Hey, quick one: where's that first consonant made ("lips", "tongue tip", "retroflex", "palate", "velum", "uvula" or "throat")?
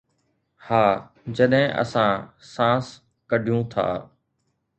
throat